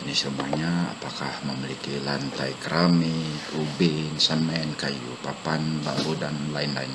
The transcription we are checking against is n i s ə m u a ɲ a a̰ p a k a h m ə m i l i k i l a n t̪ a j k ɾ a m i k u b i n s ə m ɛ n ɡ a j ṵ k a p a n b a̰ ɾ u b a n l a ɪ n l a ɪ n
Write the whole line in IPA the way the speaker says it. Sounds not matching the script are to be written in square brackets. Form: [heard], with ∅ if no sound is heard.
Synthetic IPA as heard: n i s ə m u a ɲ a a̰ p a k a h m ə m i l i k i l a n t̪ a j k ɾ a m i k u b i n s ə m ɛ n [k] a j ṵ [p] a p a n b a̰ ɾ u [d] a n l a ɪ n l a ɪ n

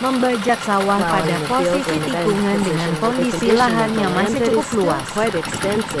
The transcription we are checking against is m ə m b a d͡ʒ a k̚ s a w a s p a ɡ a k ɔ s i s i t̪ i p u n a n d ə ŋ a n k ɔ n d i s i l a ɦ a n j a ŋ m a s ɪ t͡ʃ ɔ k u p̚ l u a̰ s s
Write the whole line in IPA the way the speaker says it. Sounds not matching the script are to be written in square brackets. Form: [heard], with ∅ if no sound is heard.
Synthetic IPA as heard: m ə m b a d͡ʒ a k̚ s a w a [h] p a [d] a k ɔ s i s i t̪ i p u [ŋ] a n d ə ŋ a n k ɔ n d i s i l a ɦ a n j a ŋ m a s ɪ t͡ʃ [u] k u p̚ l u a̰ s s

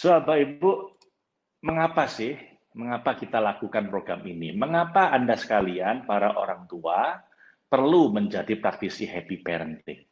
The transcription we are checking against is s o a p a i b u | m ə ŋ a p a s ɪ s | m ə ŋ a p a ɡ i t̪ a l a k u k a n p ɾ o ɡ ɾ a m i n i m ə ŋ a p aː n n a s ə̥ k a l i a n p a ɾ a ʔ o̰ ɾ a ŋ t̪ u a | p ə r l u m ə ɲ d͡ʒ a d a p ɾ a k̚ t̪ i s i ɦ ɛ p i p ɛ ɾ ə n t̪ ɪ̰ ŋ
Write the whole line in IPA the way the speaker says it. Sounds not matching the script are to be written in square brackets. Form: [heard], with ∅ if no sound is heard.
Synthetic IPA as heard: s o a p a i b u | m ə ŋ a p a s ɪ [h] | m ə ŋ a p a [k] i t̪ a l a k u k a n p ɾ o ɡ ɾ a m i n i m ə ŋ a p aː n [d] a s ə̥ k a l i a n p a ɾ a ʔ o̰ ɾ a ŋ t̪ u a | p ə r l u m ə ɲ d͡ʒ a d [i] p ɾ a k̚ t̪ i s i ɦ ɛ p i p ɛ ɾ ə n t̪ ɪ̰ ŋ

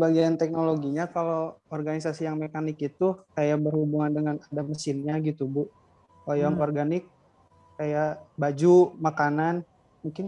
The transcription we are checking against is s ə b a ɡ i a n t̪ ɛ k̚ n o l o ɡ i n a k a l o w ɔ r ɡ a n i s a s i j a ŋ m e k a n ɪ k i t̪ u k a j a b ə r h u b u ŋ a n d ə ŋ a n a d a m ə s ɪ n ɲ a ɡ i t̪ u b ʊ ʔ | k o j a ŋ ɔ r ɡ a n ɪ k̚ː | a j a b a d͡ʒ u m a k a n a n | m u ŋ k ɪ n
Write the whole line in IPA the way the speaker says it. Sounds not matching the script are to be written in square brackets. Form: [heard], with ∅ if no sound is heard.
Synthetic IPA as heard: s ə b a ɡ i a n t̪ ɛ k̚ n o l o ɡ i [ɲ] a k a l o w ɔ r ɡ a n i s a s i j a ŋ m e k a n ɪ k i t̪ u k a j a b ə r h u b u ŋ a n d ə ŋ a n a d a m ə s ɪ n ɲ a ɡ i t̪ u b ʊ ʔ | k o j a ŋ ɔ r ɡ a n ɪ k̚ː | a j a b a d͡ʒ u m a k a n a n | m u ŋ k ɪ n

